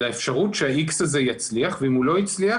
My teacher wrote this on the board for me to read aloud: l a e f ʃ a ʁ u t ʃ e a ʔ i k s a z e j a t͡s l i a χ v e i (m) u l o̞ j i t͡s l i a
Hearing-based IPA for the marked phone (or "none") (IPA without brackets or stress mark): m